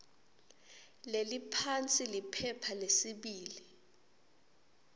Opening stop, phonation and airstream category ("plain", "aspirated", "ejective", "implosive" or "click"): aspirated